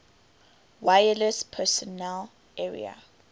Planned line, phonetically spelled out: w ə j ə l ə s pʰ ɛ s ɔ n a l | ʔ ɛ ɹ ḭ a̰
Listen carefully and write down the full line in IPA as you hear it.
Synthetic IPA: w a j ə l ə s pʰ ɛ s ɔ n ɛ l | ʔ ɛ ɹ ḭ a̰